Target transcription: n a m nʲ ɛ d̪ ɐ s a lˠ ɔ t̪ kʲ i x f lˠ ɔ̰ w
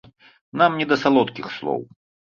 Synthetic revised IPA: n a m nʲ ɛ d̪ ɐ s a lˠ ɔ t̪ kʲ i x s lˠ ɔ̰ w